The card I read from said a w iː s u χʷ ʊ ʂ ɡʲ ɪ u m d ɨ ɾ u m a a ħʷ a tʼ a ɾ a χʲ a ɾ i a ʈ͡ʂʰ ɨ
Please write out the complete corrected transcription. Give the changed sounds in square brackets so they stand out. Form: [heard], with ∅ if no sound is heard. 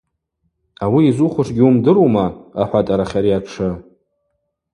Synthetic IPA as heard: a w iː [z] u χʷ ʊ ʂ ɡʲ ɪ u m d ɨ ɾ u m a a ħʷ a tʼ a ɾ a χʲ a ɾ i a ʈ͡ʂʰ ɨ